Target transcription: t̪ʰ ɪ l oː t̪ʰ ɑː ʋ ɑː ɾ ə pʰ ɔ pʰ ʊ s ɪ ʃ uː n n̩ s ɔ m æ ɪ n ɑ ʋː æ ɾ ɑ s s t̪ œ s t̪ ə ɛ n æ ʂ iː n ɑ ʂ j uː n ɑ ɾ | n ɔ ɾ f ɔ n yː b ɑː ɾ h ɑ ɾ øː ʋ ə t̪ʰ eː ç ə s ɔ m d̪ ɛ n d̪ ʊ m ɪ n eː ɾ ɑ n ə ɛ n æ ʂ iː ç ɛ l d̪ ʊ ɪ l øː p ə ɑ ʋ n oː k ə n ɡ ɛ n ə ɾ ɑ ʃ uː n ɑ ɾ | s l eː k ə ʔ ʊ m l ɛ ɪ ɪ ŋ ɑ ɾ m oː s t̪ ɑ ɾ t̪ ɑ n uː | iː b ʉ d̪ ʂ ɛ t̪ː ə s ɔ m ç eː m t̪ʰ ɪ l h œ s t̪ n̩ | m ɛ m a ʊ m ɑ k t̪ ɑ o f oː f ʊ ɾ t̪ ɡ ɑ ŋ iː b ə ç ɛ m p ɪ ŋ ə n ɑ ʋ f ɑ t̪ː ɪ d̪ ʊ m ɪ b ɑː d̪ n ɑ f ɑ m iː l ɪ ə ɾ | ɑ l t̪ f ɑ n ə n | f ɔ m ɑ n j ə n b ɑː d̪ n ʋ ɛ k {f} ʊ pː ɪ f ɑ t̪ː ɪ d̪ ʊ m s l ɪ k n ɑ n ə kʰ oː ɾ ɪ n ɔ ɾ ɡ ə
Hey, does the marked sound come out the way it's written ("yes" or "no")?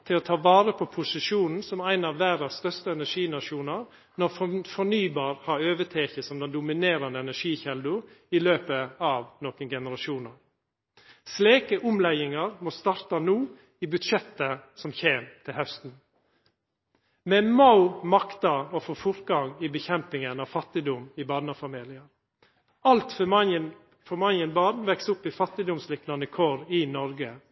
no